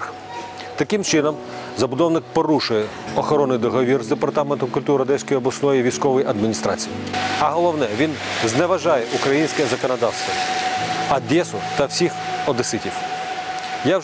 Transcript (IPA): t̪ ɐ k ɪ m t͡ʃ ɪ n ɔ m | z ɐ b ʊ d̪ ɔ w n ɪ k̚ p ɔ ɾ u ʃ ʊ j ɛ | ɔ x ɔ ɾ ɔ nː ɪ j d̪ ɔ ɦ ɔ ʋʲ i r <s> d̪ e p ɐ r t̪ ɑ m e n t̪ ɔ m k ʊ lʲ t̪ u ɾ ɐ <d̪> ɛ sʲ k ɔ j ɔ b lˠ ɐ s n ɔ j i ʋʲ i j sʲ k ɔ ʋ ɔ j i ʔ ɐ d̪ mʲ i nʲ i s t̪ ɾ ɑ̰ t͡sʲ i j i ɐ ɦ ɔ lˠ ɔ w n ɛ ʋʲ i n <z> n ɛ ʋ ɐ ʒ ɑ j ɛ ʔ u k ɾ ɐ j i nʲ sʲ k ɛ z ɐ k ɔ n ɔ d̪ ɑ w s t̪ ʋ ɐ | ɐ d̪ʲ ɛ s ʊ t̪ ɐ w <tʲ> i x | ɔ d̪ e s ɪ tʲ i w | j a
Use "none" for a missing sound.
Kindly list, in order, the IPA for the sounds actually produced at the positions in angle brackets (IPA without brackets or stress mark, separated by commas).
z, d̪, z, sʲ